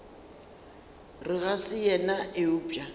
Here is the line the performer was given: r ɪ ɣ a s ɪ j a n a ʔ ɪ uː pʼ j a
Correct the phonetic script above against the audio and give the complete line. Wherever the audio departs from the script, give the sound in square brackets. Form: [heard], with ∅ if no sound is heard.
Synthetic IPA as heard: r ɪ ɣ a s ɪ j [ɛ] n a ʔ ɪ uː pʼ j a